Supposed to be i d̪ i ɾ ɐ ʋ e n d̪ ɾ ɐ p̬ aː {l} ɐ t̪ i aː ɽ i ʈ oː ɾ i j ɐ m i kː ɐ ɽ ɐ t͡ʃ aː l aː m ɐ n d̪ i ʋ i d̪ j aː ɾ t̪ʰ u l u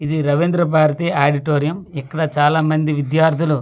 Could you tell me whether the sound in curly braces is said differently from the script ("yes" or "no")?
yes